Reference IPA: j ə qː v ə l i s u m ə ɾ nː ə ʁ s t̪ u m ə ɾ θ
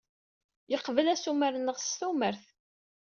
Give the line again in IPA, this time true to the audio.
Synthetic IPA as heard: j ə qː v ə l æ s u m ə ɾ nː ə ʁ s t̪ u m ə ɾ θ